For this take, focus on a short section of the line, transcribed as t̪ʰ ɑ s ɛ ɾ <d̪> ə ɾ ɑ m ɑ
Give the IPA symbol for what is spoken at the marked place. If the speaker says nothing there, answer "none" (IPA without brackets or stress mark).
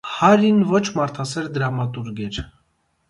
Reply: d̪